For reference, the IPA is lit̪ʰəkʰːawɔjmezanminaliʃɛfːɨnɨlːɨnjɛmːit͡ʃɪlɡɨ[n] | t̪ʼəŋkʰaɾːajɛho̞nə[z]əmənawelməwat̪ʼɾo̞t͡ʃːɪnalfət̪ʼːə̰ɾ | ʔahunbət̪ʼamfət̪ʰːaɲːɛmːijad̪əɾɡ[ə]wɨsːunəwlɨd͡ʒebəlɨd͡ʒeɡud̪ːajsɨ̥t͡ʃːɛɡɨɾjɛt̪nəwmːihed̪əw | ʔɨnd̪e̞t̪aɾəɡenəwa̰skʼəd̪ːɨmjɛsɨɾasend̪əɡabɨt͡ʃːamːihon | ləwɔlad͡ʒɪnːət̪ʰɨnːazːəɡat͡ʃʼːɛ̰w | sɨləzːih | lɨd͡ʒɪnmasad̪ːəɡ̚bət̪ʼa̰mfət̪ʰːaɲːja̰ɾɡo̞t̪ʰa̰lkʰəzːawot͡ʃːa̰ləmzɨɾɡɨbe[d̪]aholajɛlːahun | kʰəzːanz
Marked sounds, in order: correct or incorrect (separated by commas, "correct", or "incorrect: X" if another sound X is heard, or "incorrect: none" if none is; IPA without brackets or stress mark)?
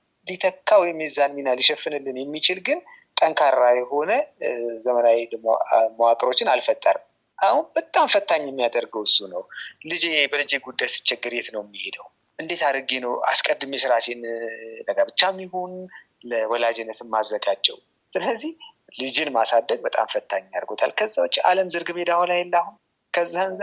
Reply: correct, correct, correct, correct